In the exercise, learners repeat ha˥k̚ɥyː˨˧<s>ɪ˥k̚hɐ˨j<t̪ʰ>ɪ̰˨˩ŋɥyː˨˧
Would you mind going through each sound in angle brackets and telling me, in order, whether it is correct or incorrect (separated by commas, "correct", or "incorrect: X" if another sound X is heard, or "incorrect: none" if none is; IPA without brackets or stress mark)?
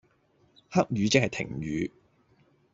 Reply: incorrect: t͡s, correct